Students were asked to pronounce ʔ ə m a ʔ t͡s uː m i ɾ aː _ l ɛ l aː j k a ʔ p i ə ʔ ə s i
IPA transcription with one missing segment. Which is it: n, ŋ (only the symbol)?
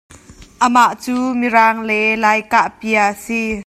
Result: ŋ